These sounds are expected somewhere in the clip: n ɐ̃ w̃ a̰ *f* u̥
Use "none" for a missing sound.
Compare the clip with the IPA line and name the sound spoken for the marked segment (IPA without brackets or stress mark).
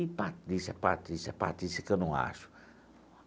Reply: ʃ